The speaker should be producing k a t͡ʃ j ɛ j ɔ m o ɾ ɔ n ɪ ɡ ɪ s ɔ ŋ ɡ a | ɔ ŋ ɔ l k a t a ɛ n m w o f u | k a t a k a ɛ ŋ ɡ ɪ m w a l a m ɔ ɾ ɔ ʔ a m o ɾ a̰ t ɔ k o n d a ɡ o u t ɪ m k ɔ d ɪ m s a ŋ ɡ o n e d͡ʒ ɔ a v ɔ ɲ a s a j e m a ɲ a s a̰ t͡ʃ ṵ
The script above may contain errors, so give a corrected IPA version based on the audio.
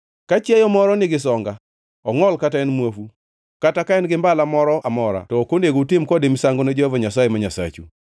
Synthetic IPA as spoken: k a t͡ʃ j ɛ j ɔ m ɔ ɾ ɔ n ɪ ɡ ɪ s ɔ ŋ ɡ a | ɔ ŋ ɔ l k a t a ɛ n m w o f u | k a t a k a ɛ n ɡ ɪ m b a l a m ɔ ɾ ɔ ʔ a m ɔ ɾ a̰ t ɔ k o n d e ɡ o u t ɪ m k ɔ d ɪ m s a ŋ ɡ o n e d͡ʒ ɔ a v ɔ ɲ a s a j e m a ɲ a s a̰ t͡ʃ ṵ